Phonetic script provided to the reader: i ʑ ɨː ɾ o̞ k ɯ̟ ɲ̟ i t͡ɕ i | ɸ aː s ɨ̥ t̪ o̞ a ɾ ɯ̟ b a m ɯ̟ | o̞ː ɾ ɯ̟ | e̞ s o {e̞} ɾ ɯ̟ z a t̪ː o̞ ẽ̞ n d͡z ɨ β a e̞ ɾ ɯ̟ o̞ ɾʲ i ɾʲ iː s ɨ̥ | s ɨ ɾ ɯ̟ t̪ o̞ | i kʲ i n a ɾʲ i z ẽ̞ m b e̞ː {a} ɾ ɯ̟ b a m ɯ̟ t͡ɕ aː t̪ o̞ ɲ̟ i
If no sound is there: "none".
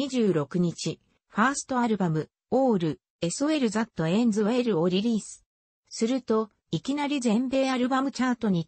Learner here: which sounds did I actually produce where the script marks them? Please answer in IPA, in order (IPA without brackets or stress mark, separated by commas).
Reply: e̞, a